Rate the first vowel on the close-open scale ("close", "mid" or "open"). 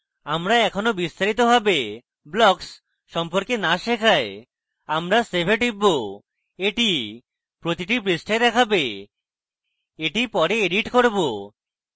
open